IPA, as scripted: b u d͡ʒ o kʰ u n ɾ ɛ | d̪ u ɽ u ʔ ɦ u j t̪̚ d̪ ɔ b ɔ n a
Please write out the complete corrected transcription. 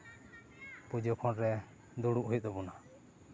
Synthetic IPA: p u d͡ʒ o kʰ ɔ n ɾ ɛ | d̪ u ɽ u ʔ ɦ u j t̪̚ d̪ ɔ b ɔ n a